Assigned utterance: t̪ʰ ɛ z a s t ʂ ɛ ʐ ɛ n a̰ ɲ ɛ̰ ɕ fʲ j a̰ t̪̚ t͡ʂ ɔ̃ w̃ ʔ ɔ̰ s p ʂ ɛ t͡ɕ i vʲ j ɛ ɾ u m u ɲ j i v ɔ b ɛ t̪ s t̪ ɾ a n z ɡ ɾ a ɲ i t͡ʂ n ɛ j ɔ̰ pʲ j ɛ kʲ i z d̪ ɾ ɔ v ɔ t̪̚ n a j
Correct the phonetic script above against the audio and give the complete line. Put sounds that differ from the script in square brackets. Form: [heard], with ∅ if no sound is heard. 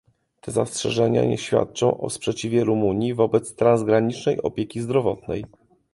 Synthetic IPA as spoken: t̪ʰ ɛ z a s t ʂ ɛ ʐ ɛ [ɲ] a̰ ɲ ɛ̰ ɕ fʲ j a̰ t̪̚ t͡ʂ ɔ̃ w̃ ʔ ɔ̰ s p ʂ ɛ t͡ɕ i vʲ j ɛ ɾ u m u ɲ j i v ɔ b ɛ t̪ s t̪ ɾ a n z ɡ ɾ a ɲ i t͡ʂ n ɛ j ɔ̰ pʲ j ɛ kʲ i z d̪ ɾ ɔ v ɔ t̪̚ n [ɛ] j